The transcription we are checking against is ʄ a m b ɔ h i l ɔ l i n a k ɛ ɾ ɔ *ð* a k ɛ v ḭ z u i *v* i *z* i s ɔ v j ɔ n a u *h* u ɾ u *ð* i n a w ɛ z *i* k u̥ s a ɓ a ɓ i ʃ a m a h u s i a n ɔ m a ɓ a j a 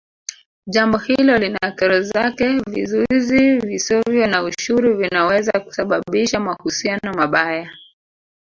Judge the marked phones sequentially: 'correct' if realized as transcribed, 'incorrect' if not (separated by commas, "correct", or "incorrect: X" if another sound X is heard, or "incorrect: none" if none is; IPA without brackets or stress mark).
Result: incorrect: z, incorrect: z, incorrect: v, incorrect: ʃ, incorrect: v, incorrect: a